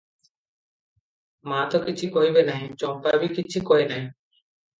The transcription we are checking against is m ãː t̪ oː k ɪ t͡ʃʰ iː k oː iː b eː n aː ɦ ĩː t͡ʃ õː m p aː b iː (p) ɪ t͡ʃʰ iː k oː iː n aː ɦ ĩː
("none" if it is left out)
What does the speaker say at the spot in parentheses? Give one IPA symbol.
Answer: k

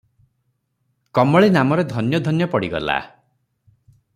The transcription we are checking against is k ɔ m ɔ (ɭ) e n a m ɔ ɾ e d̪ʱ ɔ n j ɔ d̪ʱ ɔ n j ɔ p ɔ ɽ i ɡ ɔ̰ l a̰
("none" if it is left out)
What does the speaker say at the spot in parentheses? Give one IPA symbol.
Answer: ɭ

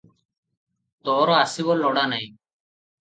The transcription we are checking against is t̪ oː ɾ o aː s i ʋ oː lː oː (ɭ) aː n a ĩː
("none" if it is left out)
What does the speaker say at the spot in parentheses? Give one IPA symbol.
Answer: ɽ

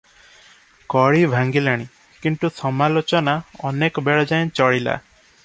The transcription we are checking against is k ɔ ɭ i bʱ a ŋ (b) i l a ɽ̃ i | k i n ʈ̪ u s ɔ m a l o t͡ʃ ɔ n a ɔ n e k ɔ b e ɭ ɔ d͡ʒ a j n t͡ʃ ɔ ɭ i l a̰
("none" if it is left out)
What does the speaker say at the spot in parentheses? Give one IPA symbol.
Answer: ɡ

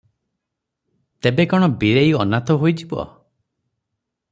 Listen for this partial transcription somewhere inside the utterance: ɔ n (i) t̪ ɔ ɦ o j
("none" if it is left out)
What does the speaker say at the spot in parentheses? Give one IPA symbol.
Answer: a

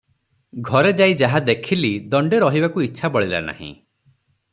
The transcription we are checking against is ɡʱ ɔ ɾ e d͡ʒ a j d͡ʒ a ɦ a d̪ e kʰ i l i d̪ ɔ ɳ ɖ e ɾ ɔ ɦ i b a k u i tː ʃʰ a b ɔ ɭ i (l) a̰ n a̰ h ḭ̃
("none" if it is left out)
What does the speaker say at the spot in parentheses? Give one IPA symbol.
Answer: l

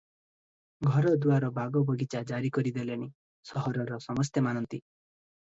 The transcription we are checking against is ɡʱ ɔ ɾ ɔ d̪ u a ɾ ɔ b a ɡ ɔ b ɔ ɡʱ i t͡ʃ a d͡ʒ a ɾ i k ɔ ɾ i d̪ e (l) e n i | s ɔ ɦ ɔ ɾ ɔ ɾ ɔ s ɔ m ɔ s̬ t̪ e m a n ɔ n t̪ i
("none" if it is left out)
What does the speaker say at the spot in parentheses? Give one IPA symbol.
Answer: l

